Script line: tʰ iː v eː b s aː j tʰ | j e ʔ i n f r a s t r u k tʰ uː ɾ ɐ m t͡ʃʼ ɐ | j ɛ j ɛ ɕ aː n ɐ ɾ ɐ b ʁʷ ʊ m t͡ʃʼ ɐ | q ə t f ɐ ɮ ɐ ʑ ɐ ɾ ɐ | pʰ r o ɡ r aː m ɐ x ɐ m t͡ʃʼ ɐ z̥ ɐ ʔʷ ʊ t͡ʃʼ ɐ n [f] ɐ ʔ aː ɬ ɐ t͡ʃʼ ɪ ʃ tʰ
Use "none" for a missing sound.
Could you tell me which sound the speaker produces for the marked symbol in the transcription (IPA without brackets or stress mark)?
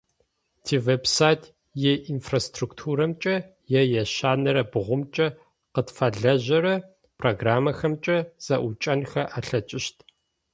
x